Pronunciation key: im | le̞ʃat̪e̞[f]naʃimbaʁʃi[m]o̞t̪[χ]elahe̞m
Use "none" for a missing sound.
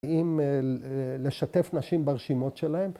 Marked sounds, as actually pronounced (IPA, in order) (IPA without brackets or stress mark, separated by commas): f, m, ʃ